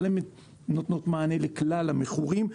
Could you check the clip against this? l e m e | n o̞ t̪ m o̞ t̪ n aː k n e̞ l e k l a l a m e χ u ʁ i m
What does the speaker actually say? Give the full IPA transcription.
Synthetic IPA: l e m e | n o̞ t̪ n o̞ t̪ m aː n e̞ l e k l a l a m e χ u ʁ i m

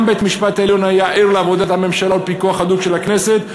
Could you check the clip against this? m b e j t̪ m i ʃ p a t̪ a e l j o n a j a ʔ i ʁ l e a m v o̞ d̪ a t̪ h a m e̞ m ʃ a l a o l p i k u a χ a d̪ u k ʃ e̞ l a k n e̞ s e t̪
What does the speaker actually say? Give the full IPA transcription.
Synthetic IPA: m b e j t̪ m i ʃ p a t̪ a e l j o n a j a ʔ i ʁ l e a v o̞ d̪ a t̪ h a m e̞ m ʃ a l a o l p i k u a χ a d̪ u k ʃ e̞ l a k n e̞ s e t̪

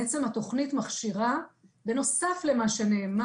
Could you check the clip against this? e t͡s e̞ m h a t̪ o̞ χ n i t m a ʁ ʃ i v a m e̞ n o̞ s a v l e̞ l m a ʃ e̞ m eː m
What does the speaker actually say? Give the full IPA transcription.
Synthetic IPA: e t͡s e̞ m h a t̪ o̞ χ n i t m a χ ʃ i ʁ a b e̞ n o̞ s a f l e̞ m a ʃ e̞ n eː m

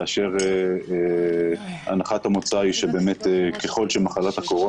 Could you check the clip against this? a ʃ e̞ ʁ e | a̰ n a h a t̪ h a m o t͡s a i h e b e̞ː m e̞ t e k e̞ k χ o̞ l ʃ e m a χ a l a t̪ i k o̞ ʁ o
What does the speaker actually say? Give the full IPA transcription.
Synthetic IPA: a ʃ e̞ ʁ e | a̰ n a χ a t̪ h a m o t͡s a i ʃ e b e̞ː m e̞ t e k e̞ χ o̞ l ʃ e m a χ a l a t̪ a k o̞ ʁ o

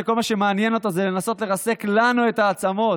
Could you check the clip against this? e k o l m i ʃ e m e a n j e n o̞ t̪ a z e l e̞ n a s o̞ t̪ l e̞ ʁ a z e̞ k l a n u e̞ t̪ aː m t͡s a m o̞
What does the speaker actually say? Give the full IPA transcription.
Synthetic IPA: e k o l m a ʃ e m e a n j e n o̞ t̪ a z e l e̞ n a s o̞ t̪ l e̞ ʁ a s e̞ k l a n u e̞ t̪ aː t͡s a m o̞

